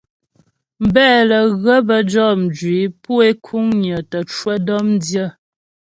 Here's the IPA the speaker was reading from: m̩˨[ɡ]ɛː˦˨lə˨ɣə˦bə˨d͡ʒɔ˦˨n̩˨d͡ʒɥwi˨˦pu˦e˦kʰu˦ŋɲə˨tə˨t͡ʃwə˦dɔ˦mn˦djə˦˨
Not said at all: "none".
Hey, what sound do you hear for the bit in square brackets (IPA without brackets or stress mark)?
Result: b